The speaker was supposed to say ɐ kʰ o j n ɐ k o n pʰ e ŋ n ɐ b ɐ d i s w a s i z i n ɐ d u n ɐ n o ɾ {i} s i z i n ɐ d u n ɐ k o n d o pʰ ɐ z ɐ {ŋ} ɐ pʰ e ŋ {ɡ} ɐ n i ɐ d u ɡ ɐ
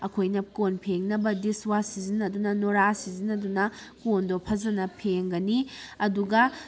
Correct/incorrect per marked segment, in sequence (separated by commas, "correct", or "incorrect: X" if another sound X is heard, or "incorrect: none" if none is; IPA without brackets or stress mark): incorrect: a, incorrect: n, correct